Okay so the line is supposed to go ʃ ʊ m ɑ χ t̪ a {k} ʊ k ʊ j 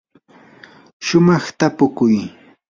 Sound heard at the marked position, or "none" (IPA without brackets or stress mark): p